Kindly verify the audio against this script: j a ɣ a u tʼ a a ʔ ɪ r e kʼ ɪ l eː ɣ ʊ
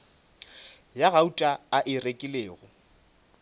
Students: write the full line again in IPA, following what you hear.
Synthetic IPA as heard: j a ɣ a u tʼ a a ʔ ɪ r e kʼ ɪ l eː ɣ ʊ